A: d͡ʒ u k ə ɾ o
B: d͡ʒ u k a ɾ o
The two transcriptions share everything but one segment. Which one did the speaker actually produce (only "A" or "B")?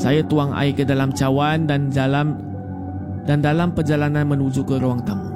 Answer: A